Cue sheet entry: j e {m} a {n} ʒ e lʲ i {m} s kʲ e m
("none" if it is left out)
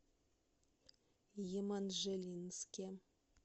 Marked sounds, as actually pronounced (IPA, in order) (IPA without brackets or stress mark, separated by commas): m, n, n